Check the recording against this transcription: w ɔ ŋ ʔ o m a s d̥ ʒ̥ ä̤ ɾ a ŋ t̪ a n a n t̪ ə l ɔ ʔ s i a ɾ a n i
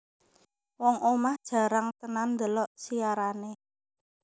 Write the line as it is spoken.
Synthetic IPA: w ɔ ŋ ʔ o m a h d̥ ʒ̥ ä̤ ɾ a ŋ t̪ ə n a n d̪ ə l ɔ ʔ s i a ɾ a n e